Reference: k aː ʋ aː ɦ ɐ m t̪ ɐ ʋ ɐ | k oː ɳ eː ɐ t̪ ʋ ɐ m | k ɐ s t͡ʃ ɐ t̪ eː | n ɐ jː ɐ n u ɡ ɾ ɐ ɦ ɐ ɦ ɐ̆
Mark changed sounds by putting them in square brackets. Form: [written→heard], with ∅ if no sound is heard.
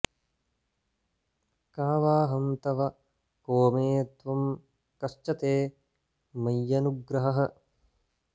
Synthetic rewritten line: k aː ʋ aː ɦ ɐ m t̪ ɐ ʋ ɐ | k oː [ɳ→m] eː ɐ t̪ ʋ ɐ m | k ɐ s t͡ʃ ɐ t̪ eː | [n→m] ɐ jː ɐ n u ɡ ɾ ɐ ɦ ɐ ɦ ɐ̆